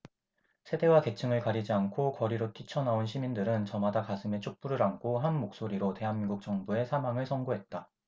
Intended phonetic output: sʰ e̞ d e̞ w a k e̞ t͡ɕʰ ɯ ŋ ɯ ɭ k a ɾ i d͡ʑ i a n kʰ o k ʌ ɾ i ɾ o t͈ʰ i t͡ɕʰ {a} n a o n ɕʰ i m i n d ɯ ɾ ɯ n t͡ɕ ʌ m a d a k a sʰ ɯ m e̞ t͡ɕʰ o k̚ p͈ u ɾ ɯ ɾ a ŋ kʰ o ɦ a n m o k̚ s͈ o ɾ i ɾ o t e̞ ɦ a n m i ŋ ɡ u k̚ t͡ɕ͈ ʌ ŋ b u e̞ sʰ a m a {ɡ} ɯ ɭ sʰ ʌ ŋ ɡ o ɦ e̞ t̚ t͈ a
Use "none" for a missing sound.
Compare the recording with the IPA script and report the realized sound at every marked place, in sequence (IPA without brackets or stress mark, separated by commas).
ʌ, ŋ